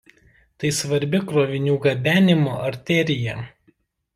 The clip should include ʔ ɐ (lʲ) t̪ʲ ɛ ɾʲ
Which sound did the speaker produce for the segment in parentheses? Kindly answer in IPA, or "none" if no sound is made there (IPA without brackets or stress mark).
ɾʲ